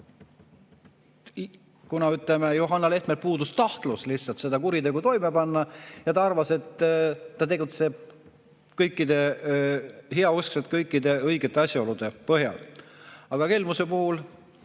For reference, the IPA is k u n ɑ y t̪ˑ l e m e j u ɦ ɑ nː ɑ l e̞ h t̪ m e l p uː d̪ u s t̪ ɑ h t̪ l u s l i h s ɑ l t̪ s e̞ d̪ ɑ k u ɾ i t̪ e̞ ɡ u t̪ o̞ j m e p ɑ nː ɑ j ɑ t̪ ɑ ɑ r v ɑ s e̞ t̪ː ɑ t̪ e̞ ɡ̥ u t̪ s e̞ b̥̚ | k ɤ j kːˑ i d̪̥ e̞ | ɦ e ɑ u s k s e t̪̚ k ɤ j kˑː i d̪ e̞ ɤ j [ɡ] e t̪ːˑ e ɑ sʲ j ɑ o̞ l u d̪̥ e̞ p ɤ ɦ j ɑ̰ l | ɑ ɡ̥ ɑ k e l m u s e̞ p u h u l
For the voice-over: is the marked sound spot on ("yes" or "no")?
yes